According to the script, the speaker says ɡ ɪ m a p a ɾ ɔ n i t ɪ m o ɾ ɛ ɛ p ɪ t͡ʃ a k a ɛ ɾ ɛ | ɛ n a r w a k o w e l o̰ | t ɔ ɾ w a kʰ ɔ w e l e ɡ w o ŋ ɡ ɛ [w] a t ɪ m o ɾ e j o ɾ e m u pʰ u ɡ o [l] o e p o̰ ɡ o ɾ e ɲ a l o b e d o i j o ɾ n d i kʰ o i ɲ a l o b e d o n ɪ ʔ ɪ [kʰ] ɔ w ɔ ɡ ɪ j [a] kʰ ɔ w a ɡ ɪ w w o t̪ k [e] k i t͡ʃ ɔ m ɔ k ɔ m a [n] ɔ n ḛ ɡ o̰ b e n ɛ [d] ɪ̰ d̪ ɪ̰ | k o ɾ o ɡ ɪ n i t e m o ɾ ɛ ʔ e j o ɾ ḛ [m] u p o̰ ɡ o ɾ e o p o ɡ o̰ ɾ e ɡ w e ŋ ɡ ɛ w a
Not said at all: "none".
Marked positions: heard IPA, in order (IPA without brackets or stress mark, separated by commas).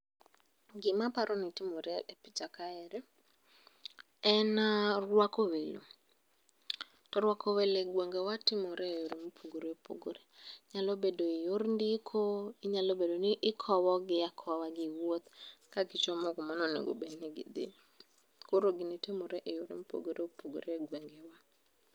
w, ɾ, kʰ, a, a, n, ɡ, m